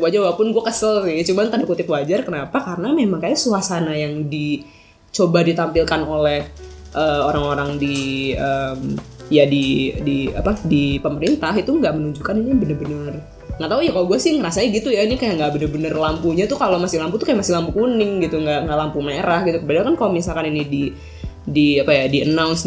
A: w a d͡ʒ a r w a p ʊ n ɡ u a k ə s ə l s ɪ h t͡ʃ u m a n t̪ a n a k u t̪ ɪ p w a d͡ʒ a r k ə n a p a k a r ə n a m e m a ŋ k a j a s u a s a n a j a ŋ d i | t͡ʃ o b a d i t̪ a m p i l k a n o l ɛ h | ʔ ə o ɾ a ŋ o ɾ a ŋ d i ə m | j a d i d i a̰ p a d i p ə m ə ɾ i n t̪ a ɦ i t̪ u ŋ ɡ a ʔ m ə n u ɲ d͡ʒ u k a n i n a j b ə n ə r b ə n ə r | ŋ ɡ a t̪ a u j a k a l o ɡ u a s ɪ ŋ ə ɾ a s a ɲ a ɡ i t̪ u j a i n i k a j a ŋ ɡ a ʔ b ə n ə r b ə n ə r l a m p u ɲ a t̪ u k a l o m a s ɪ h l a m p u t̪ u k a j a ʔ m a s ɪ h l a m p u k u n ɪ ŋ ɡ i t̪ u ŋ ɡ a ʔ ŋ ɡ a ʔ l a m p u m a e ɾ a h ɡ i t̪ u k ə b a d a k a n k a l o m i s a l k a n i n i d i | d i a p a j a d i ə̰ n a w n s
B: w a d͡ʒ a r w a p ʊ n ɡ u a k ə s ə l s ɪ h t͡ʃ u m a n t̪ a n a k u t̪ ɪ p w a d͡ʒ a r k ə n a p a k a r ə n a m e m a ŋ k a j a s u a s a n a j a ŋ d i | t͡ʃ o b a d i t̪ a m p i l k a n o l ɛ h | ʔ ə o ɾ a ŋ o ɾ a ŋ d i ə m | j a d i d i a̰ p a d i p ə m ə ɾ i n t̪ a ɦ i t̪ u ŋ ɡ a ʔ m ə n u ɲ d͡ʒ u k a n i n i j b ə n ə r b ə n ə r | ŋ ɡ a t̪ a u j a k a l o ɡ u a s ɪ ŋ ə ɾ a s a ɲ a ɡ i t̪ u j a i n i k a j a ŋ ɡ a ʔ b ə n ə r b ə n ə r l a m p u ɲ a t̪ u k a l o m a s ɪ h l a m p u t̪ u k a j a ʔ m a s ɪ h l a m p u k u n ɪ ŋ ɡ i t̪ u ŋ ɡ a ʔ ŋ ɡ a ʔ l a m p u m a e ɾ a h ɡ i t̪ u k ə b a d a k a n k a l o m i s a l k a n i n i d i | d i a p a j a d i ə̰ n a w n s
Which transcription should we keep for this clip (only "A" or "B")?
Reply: B